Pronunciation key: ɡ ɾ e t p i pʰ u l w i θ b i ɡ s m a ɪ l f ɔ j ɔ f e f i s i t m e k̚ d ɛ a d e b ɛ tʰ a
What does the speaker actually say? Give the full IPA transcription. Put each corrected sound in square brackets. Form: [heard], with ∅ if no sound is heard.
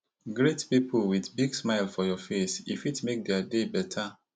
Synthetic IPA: ɡ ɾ e t p i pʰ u l w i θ b i ɡ s m a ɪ l f ɔ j ɔ f e [s] i [f] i t m e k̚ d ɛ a d e b ɛ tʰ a